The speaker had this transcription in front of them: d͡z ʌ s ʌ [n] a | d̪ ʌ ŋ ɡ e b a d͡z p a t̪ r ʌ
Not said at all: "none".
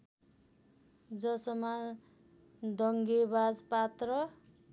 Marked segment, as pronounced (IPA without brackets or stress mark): m